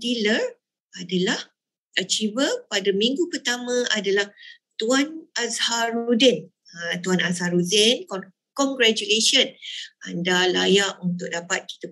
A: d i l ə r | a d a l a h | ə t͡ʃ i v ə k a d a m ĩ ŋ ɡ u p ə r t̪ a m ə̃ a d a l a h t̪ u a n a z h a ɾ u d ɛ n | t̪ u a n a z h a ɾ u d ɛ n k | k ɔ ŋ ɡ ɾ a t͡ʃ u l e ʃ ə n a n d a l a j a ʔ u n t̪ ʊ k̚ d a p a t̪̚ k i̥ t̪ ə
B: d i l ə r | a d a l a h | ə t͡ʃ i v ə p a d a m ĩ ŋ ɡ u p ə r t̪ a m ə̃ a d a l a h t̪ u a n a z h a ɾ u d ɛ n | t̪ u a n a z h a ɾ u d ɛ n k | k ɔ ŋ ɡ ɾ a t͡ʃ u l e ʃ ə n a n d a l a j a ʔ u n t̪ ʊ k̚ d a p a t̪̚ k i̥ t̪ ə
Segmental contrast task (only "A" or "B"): B